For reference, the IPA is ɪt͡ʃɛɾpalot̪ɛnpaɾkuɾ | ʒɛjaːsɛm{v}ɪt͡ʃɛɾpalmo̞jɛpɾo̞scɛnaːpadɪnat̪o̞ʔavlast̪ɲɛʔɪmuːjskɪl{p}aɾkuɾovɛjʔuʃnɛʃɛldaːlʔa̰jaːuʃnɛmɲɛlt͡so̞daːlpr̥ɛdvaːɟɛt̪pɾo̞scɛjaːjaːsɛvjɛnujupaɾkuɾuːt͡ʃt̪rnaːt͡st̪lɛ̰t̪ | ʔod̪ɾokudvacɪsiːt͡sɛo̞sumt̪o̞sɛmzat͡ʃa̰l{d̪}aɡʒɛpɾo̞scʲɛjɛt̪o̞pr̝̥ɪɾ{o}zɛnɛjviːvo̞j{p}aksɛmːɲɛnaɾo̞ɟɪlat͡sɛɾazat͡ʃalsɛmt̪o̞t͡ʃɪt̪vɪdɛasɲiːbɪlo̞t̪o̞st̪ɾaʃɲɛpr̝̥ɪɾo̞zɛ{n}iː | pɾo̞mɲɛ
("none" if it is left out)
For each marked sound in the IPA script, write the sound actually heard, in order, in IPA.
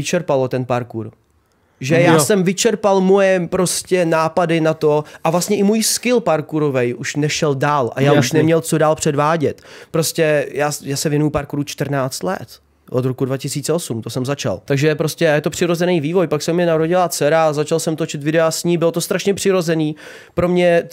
v, p, t̪, o, p, n

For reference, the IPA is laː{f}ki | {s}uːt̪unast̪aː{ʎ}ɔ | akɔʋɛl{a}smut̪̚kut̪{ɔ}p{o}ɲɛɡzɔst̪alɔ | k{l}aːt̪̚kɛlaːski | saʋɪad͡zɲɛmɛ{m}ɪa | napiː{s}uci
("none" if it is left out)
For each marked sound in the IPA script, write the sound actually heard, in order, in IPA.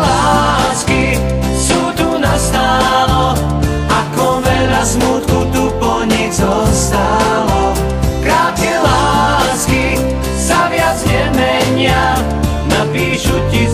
s, s, l, a, u, ɔ, ɾ, ɲ, ʃ

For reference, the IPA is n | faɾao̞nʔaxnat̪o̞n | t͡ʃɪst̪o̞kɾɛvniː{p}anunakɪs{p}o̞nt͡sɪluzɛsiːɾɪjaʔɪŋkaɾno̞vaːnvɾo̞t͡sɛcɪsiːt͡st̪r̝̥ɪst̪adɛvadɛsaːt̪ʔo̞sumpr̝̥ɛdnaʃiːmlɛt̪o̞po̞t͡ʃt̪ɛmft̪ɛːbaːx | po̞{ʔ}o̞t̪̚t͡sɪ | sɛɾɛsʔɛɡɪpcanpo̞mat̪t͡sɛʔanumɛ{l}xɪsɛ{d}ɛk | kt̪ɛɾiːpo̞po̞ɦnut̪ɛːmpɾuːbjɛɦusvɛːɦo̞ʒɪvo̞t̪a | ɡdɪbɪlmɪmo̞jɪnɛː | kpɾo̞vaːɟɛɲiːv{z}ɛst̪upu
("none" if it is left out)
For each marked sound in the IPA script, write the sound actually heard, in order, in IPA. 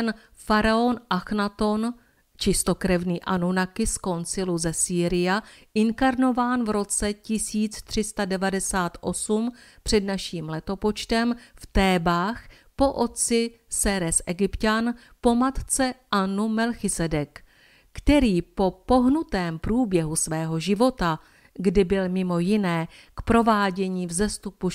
ʔ, k, ʔ, l, d, z

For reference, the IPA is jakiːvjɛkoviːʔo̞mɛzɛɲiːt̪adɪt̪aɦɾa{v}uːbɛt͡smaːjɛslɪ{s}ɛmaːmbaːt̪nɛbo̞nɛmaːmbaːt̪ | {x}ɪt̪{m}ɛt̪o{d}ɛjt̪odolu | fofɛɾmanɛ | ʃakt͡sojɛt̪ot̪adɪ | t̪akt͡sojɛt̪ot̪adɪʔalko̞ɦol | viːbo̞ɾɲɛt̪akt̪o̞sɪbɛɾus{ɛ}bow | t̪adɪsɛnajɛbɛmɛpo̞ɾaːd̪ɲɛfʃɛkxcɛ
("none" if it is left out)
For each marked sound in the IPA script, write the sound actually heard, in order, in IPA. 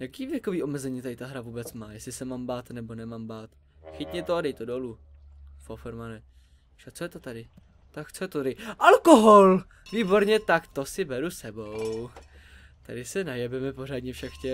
v, s, x, ɲ, d, ɛ

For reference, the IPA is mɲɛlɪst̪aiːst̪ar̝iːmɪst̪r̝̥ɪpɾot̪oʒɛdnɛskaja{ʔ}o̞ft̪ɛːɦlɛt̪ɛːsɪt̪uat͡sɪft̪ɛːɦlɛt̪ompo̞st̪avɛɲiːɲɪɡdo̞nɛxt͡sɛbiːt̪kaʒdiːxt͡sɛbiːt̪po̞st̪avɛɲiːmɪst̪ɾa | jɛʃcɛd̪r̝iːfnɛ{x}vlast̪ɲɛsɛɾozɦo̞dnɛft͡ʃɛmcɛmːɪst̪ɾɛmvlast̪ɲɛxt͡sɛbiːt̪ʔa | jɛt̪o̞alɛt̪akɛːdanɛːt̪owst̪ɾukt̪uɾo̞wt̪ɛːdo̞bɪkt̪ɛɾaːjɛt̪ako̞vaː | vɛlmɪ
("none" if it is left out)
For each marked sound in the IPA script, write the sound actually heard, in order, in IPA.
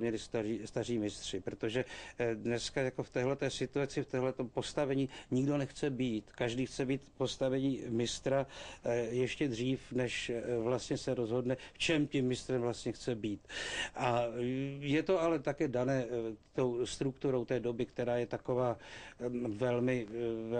k, ʃ

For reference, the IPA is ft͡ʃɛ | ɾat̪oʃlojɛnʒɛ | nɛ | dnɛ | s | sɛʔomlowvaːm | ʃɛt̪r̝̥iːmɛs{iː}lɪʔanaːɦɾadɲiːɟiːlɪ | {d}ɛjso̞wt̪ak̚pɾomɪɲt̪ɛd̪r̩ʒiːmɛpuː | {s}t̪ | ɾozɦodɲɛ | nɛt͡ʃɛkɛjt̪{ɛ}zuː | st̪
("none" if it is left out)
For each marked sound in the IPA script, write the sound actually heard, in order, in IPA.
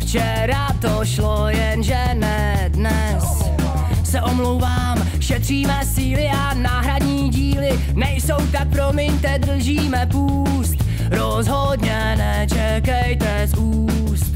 iː, n, s, ɛ

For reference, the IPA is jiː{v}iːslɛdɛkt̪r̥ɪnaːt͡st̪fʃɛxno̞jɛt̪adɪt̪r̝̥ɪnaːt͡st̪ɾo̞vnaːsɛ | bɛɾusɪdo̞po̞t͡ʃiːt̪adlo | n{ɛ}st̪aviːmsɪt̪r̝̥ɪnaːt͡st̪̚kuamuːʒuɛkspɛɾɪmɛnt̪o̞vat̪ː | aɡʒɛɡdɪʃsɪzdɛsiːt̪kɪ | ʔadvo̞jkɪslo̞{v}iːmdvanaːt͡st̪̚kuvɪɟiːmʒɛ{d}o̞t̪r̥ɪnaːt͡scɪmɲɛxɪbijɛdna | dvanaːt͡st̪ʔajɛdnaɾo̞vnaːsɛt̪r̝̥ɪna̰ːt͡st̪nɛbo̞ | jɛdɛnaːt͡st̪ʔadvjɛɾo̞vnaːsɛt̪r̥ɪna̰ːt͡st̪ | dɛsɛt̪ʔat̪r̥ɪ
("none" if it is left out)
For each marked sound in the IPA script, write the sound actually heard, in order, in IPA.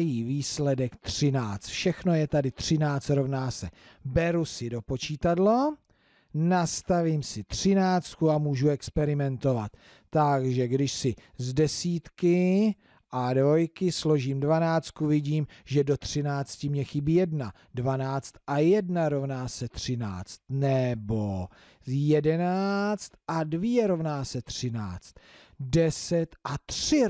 v, a, ʒ, d

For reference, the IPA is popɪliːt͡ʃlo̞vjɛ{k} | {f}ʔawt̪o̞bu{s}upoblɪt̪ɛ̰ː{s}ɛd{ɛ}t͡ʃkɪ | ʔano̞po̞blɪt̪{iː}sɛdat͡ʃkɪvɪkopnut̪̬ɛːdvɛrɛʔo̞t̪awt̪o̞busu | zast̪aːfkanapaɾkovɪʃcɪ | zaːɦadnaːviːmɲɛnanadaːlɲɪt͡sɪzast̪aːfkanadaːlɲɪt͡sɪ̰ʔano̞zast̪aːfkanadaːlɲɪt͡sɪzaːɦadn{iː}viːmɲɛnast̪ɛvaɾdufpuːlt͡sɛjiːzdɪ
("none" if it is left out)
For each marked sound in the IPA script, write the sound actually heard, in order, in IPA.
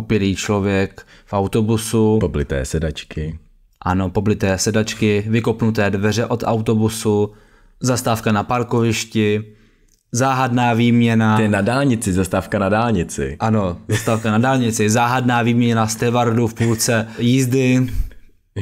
k, f, s, s, a, ɛː, aː

